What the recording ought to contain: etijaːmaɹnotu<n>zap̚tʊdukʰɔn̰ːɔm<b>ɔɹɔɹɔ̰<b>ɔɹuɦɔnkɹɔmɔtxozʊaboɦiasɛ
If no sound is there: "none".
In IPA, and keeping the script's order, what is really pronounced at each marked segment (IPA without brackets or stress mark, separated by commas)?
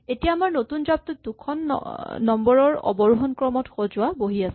n, b, b